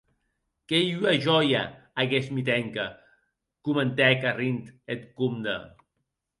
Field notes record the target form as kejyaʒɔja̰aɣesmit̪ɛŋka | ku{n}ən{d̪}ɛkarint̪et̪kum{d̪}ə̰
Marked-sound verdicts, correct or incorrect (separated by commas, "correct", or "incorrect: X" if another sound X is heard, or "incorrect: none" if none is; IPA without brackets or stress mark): incorrect: m, incorrect: t̪, correct